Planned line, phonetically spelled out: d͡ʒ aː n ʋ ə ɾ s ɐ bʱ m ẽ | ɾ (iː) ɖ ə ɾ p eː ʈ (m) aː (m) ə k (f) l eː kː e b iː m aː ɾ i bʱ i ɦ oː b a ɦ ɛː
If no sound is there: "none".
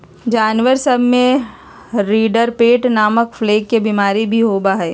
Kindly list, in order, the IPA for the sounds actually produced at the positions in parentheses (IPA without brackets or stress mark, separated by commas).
iː, n, m, f